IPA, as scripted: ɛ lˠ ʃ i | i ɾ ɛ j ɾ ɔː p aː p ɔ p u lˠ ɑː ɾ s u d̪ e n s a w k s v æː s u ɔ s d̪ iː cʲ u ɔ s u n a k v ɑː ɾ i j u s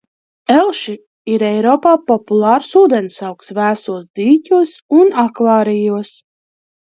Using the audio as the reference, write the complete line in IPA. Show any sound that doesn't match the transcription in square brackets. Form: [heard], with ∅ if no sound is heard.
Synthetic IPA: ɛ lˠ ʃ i | i ɾ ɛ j ɾ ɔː p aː p ɔ p u lˠ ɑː ɾ s [uː] d̪ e n s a w k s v æː s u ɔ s d̪ iː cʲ u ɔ s u n a k v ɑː ɾ i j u s